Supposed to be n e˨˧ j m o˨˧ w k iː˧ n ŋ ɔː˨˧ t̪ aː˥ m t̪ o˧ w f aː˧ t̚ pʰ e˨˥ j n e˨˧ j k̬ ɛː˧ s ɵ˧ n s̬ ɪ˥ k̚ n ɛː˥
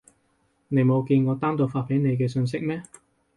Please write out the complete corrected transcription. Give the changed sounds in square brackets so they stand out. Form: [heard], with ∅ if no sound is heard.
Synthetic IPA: n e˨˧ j m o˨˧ w k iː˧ n ŋ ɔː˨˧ t̪ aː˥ m t̪ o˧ w f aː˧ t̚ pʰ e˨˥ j n e˨˧ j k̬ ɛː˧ s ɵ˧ n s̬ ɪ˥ k̚ [m] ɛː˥